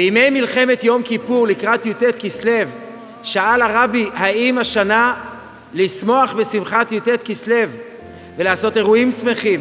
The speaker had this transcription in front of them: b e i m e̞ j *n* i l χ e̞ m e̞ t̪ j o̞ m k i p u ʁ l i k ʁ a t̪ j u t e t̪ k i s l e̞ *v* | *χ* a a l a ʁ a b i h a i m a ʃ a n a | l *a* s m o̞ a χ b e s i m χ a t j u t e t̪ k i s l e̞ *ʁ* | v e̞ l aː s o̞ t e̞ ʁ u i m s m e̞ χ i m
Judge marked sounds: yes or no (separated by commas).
no, yes, no, no, no